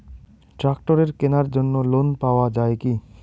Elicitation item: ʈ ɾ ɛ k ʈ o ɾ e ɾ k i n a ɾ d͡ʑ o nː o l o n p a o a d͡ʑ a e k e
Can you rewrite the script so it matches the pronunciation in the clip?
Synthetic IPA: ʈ ɾ a k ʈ o ɾ e ɾ k e n a ɾ d͡ʑ o nː o l o n p a o a d͡ʑ a e k i